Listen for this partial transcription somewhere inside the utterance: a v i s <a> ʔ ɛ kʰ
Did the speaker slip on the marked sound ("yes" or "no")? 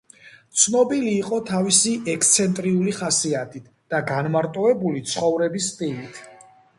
yes